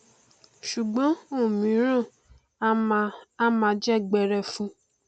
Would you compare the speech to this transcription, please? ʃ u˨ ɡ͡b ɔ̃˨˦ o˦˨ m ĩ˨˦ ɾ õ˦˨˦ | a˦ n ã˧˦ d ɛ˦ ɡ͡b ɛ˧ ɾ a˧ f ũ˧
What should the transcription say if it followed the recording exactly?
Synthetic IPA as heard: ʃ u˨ ɡ͡b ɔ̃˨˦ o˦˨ m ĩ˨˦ ɾ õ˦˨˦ | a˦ m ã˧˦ d͡ʒ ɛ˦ ɡ͡b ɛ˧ ɾ ɛ˧ f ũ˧